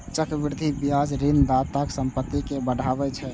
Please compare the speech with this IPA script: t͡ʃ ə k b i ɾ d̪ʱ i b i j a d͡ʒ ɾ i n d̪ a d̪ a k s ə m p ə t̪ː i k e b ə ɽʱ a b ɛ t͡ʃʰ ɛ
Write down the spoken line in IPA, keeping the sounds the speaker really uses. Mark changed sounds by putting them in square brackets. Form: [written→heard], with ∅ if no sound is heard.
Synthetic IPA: t͡ʃ ə k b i ɾ d̪ʱ i b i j a d͡ʒ ɾ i n d̪ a [d̪→t̪] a k s ə m p ə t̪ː i k e b ə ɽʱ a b ɛ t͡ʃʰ ɛ